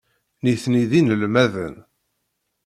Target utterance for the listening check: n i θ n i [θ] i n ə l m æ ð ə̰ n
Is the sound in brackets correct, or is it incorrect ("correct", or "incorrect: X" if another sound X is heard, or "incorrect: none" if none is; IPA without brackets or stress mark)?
incorrect: ð